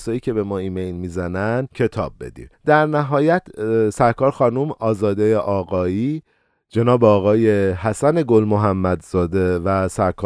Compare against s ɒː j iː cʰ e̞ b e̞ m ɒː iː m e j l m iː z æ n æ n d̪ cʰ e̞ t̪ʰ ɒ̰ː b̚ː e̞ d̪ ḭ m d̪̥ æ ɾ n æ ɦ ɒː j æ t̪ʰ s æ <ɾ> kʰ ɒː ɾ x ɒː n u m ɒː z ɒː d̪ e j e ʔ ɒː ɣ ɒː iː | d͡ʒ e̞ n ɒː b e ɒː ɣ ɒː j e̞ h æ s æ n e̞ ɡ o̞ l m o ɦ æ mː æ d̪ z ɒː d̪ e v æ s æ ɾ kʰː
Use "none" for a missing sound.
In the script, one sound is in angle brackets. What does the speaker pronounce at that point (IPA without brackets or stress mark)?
ɾ